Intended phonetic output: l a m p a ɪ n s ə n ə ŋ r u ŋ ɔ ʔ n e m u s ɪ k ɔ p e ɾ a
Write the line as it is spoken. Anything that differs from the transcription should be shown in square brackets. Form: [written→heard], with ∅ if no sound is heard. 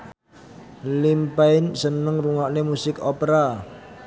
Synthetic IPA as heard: l [a→i] m p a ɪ n s ə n ə ŋ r u ŋ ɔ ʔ n e m u s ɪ k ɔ p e ɾ a